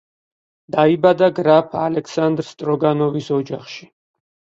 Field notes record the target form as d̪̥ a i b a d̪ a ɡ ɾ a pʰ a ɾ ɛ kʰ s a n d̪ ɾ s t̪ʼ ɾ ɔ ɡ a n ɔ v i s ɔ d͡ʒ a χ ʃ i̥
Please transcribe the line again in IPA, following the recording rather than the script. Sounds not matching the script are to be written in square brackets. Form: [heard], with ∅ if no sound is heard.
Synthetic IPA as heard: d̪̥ a i b a d̪ a ɡ ɾ a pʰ a [l] ɛ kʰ s a n d̪ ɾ s t̪ʼ ɾ ɔ ɡ a n ɔ v i s ɔ d͡ʒ a χ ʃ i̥